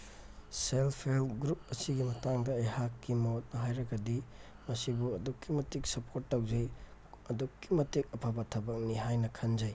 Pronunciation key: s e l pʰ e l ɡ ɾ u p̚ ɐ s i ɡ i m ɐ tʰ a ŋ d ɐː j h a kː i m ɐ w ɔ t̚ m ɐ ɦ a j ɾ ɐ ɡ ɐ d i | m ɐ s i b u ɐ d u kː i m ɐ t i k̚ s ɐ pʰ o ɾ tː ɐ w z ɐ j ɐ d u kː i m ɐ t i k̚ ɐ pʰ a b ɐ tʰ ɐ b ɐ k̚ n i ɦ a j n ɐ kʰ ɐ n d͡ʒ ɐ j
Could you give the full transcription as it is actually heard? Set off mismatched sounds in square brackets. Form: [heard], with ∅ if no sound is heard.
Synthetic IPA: s e l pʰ e l ɡ ɾ u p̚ ɐ s i ɡ i m ɐ [t] a ŋ d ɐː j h a kː i m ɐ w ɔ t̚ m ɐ ɦ a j ɾ ɐ ɡ ɐ d i | m ɐ s i b u ɐ d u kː i m ɐ t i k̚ s ɐ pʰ o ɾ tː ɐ w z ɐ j ɐ d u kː i m ɐ t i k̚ ɐ pʰ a b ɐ tʰ ɐ b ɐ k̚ n i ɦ a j n ɐ kʰ ɐ n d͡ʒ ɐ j